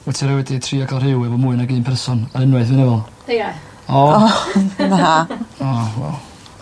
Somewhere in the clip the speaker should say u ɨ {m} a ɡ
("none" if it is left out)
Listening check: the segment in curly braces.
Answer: n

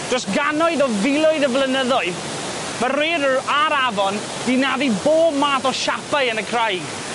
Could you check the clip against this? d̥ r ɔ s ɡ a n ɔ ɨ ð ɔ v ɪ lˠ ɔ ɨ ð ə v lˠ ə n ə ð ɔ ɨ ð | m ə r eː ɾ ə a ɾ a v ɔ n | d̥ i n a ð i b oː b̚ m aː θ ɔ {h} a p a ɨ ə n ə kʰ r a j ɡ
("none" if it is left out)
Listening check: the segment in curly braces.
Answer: ʃ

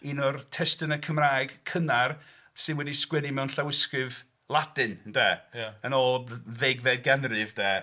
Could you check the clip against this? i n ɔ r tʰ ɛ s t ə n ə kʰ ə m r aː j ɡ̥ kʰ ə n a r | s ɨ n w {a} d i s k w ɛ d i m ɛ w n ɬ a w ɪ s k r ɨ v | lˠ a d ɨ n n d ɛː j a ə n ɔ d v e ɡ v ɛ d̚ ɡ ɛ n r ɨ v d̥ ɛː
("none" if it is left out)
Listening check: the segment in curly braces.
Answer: ɛ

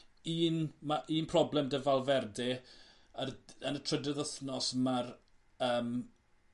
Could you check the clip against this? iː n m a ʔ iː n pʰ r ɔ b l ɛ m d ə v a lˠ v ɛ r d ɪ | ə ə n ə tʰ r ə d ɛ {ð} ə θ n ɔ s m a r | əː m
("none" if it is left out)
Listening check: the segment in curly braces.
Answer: ð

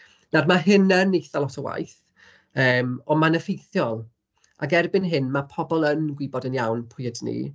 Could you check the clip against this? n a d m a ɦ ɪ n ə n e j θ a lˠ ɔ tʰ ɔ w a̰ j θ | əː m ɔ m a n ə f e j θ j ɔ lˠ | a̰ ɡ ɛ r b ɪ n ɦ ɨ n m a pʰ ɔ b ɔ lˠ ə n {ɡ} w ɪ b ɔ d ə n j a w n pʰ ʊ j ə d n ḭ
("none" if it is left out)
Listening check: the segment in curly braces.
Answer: ɡ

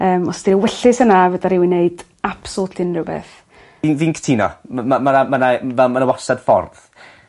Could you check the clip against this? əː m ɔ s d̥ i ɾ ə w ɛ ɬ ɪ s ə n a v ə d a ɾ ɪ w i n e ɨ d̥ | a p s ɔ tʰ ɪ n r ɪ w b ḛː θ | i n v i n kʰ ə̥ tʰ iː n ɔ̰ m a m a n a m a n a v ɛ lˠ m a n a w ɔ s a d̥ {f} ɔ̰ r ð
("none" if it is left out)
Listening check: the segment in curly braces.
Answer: f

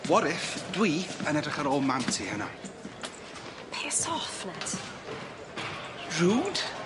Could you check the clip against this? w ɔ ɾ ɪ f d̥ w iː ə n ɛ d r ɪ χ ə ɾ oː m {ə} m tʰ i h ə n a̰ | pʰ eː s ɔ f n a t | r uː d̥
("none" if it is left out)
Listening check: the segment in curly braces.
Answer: a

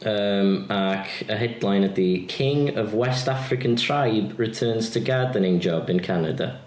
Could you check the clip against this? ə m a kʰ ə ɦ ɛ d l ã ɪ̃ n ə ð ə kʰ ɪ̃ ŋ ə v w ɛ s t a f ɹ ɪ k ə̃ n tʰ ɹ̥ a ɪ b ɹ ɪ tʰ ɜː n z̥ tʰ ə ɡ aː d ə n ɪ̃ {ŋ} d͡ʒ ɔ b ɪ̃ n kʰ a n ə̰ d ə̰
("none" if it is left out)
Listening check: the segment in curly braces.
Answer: ŋ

